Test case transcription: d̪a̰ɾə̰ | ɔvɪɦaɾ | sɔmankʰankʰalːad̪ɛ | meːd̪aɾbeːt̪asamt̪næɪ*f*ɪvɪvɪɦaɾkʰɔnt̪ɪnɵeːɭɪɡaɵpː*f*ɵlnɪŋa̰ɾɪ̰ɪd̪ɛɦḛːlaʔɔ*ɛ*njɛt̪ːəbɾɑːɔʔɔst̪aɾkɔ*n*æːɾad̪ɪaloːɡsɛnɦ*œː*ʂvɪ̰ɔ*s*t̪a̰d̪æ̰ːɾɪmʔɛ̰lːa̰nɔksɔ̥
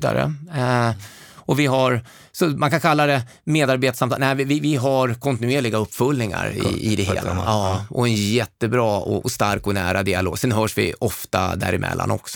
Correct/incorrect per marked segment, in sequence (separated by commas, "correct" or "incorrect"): incorrect, correct, correct, correct, correct, incorrect